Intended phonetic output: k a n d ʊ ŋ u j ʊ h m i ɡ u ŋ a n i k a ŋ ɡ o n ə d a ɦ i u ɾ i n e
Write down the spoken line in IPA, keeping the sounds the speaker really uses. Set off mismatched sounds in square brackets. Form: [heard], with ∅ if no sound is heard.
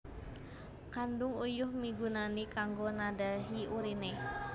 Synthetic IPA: k a n d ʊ ŋ u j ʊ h m i ɡ u [n] a n i k a ŋ ɡ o n [a] d a ɦ i u ɾ i n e

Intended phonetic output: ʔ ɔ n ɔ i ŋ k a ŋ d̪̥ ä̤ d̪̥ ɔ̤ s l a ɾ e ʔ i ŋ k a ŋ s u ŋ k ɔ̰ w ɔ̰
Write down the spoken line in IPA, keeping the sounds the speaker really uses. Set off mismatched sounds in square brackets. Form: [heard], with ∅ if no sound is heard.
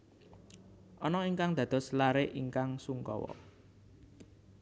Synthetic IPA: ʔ ɔ n ɔ i ŋ k a ŋ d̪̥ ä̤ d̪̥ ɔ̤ s l a ɾ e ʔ i ŋ k a ŋ s u ŋ k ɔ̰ w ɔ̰

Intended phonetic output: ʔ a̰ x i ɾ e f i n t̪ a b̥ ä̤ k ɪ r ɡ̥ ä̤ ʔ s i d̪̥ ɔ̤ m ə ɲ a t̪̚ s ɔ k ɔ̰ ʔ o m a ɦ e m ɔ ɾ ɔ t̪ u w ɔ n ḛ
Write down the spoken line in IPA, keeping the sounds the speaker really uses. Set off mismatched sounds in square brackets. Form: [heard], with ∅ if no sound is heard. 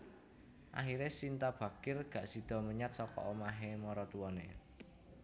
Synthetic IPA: ʔ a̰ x i ɾ e [s] i n t̪ a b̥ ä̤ k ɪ r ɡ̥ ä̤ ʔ s i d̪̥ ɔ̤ m ə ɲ a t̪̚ s ɔ k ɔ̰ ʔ o m a ɦ e m ɔ ɾ ɔ t̪ u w ɔ n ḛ

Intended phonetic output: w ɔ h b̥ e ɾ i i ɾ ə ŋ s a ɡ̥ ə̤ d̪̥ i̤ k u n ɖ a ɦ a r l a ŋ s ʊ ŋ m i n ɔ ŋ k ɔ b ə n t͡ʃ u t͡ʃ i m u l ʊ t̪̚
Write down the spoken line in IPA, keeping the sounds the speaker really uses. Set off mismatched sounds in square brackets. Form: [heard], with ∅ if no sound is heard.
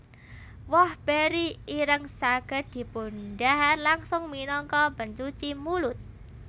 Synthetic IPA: w ɔ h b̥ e ɾ i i ɾ ə ŋ s a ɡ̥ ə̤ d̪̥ i̤ [p] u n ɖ a ɦ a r l a ŋ s ʊ ŋ m i n ɔ ŋ k ɔ b ə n t͡ʃ u t͡ʃ i m u l ʊ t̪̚

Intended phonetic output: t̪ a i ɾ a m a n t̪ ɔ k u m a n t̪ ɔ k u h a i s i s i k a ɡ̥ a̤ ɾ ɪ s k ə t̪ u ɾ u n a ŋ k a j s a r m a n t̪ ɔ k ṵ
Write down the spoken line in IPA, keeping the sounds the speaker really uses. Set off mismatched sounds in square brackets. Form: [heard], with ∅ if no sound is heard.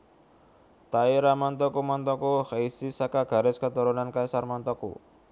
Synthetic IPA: t̪ a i ɾ a m a n t̪ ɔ k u m a n t̪ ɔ k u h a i s i s [a] k a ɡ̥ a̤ ɾ ɪ s k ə t̪ u ɾ u n a [n] k a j s a r m a n t̪ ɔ k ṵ

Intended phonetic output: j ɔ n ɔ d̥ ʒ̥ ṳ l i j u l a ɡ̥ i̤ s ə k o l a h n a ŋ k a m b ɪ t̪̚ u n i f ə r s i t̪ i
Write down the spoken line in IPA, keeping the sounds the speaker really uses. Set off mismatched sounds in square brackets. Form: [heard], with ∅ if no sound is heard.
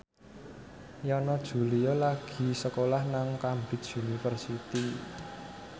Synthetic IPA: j ɔ n ɔ d̥ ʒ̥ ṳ l i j [ɔ] l a ɡ̥ i̤ s ə k o l a h n a ŋ k a m b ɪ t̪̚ u n i f ə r s i t̪ i

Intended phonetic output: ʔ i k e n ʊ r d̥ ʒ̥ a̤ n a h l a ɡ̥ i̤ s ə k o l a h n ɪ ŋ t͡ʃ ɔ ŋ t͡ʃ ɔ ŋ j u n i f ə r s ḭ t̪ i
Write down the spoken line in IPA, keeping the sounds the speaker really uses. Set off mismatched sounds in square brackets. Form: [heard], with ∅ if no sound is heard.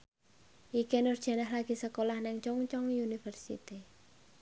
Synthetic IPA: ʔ i k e n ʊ r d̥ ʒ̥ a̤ n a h l a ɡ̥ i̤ s ə k o l a h n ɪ ŋ t͡ʃ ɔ ŋ t͡ʃ ɔ ŋ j u n i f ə r s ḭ t̪ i

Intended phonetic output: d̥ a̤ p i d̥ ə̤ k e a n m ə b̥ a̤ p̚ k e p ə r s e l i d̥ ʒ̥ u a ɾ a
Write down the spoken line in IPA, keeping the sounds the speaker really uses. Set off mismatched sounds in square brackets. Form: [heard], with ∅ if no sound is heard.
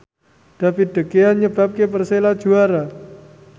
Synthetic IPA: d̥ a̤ p i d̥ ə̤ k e a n [ɲ] ə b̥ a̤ p̚ k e p ə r s e l [a] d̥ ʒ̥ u a ɾ a

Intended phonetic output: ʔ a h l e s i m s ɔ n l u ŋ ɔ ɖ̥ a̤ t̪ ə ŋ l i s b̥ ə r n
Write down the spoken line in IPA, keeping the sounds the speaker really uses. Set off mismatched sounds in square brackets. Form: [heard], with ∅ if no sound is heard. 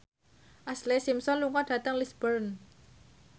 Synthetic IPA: ʔ a [s] l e s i m s ɔ n l u ŋ ɔ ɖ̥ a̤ t̪ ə ŋ l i s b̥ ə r n

